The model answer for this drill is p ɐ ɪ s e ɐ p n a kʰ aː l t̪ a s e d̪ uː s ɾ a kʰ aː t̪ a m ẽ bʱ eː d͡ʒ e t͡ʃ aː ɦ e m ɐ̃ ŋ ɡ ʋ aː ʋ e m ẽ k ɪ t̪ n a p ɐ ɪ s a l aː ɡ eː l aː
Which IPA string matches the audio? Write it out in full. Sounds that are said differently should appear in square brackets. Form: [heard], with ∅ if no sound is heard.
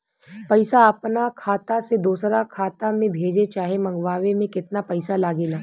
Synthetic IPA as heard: p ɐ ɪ s [a] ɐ p n a kʰ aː [∅] t̪ a s e d̪ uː s ɾ a kʰ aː t̪ a m ẽ bʱ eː d͡ʒ e t͡ʃ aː ɦ e m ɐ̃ ŋ ɡ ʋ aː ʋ e m ẽ k ɪ t̪ n a p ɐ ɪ s a l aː ɡ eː l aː